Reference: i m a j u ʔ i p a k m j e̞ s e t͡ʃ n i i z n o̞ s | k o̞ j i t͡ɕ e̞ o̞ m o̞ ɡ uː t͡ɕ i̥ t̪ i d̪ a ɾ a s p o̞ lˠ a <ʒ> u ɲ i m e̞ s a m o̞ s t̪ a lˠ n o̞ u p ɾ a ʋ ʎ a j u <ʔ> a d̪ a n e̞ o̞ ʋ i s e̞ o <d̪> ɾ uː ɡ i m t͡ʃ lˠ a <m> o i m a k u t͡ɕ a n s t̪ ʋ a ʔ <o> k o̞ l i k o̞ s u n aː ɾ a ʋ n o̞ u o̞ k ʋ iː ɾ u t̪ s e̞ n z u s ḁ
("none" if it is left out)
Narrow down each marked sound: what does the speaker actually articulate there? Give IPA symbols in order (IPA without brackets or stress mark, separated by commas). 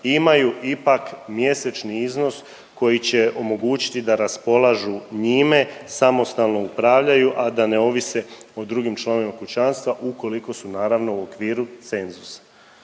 ʒ, ʔ, d̪, n, u